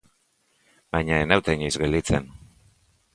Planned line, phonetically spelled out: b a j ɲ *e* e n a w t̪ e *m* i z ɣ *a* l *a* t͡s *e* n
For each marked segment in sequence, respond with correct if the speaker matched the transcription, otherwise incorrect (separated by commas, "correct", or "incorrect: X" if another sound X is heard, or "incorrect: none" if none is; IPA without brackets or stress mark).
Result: incorrect: a, incorrect: ɲ, incorrect: e, incorrect: i, correct